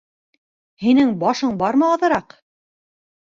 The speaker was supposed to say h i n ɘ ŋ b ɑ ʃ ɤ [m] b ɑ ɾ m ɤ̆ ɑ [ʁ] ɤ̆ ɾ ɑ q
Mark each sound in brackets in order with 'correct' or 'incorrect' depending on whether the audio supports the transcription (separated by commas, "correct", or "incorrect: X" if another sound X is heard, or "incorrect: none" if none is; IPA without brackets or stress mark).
incorrect: ɴ, incorrect: ð